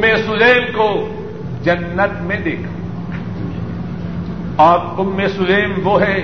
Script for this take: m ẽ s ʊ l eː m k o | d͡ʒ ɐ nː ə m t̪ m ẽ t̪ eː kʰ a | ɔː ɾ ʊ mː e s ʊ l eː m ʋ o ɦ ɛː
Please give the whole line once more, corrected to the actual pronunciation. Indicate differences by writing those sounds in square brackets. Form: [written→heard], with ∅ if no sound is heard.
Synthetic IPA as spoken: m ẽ s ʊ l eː m k o | d͡ʒ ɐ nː ə [m→∅] t̪ m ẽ [t̪→d̪] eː kʰ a | ɔː ɾ ʊ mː e s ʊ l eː m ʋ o ɦ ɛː